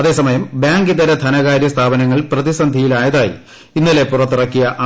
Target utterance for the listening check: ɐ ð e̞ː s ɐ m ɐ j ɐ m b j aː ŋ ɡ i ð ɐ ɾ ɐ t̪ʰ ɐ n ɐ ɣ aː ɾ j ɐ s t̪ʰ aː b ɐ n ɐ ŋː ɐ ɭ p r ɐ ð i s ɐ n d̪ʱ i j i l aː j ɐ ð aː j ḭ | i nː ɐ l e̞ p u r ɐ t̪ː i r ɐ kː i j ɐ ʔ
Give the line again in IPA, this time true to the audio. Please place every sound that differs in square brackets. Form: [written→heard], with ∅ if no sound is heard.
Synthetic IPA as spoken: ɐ ð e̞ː s ɐ m ɐ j ɐ m b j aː ŋ ɡ i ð ɐ ɾ ɐ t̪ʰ ɐ n ɐ ɣ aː ɾ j ɐ s t̪ʰ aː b ɐ n ɐ ŋː ɐ ɭ p r ɐ ð i s ɐ n d̪ʱ i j i l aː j ɐ ð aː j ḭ | i nː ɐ l e̞ p u r ɐ t̪ː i r ɐ kː i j ɐ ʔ